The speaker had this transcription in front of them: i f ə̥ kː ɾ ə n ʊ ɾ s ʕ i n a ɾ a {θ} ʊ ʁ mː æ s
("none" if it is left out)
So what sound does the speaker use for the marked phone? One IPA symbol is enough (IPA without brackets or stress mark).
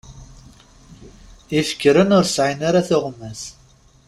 θ